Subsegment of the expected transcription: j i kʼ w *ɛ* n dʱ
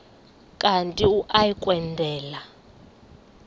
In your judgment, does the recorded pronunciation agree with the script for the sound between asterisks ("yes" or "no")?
yes